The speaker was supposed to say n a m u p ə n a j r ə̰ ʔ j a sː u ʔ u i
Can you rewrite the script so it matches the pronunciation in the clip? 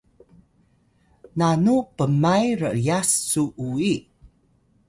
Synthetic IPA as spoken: n a n u p ə m a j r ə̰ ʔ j a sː u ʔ u i